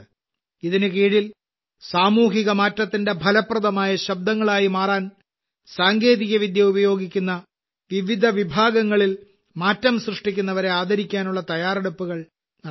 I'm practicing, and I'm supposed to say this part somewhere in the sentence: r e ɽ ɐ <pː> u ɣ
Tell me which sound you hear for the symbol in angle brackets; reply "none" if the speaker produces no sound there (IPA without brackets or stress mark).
pː